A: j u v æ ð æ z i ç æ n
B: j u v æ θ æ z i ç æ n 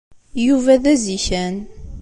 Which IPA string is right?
A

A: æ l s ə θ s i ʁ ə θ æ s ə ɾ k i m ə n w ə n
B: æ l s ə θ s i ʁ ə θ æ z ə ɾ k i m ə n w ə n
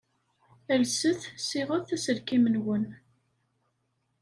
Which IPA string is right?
A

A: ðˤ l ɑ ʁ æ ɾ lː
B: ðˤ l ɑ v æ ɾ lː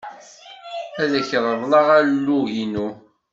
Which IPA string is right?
A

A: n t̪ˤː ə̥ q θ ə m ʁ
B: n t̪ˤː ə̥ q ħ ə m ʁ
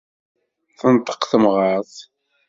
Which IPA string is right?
A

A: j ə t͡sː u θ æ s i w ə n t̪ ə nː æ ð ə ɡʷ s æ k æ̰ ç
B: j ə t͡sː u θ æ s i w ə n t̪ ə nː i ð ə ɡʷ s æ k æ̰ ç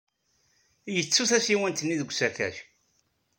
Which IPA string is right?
B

